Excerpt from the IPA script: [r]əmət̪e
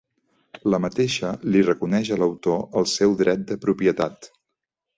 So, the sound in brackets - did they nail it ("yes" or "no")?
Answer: no